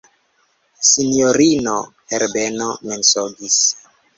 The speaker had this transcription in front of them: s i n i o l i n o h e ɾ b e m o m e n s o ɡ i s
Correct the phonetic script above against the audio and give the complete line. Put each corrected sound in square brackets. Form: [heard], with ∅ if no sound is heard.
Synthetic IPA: s i n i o [ɾ] i n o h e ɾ b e [n] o m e n s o ɡ i s